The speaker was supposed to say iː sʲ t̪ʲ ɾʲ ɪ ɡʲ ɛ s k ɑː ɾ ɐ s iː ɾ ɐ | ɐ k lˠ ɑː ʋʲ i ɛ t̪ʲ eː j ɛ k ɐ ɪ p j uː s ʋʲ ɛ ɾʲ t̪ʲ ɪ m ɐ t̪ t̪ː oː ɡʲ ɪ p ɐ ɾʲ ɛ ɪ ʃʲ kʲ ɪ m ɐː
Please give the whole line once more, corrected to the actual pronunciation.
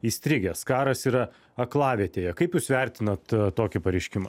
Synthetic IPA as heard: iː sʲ t̪ʲ ɾʲ ɪ ɡʲ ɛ s k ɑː ɾ ɐ s iː ɾ ɐ | ɐ k lˠ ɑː ʋʲ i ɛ t̪ʲ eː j ɛ k ɐ ɪ p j uː s ʋʲ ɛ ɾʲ t̪ʲ ɪ n ɐ t̪ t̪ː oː kʲ ɪ p ɐ ɾʲ ɛ ɪ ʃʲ kʲ ɪ m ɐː

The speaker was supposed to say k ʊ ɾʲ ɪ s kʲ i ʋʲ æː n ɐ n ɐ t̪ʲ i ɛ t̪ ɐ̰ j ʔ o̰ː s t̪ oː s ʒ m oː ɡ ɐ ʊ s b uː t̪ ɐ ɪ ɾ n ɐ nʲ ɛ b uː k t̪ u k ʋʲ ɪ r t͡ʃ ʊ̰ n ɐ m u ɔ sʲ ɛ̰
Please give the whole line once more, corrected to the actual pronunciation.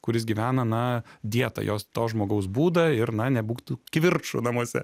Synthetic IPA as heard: k ʊ ɾʲ ɪ s ɡʲ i ʋʲ æː n ɐ n ɐ d̪ʲ i ɛ t̪ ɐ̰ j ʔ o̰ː s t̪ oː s ʒ m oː ɡ ɐ ʊ s b uː d̪ ɐ ɪ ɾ n ɐ nʲ ɛ b uː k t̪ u k ʋʲ ɪ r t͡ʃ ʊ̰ n ɐ m u ɔ sʲ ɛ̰

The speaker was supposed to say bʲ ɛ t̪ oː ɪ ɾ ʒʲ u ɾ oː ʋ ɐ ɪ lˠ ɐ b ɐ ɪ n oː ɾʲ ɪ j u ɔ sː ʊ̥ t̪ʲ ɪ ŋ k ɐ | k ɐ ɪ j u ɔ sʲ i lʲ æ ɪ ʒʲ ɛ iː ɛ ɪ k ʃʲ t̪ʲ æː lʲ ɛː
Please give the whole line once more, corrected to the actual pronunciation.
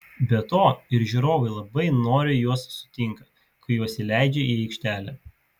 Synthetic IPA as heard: bʲ ɛ t̪ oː ɪ ɾ ʒʲ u ɾ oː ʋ ɐ ɪ lˠ ɐ b ɐ ɪ n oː ɾʲ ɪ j u ɔ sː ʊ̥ t̪ʲ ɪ ŋ k ɐ | k ɐ ɪ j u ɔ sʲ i lʲ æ ɪ d͡ʒʲ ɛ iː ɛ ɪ k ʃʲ t̪ʲ æː lʲ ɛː

